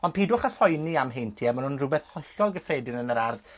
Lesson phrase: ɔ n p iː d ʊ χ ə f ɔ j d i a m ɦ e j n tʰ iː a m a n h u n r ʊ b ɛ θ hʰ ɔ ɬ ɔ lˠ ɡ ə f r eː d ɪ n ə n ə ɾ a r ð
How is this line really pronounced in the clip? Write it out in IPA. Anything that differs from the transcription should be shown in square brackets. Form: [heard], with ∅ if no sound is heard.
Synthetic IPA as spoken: ɔ n p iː d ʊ χ ə f ɔ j [n] i a m ɦ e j n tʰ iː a m a n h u n r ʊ b ɛ θ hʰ ɔ ɬ ɔ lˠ ɡ ə f r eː d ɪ n ə n ə ɾ a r ð